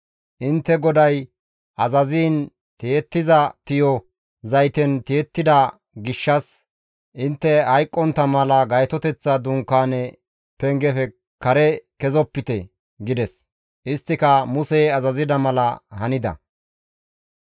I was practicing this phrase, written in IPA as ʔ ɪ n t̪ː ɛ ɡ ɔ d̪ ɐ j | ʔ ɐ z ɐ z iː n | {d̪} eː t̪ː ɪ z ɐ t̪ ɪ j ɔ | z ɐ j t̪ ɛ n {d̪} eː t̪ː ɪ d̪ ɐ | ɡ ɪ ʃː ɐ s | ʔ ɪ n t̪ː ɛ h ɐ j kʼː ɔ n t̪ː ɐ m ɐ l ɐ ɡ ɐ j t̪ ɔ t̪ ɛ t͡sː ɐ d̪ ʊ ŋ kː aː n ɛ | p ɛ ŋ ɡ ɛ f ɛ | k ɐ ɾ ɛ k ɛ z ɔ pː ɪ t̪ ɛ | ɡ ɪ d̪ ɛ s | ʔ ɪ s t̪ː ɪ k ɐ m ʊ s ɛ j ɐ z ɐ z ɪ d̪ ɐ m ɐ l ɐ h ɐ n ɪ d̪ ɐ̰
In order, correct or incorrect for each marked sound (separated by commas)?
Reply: incorrect, incorrect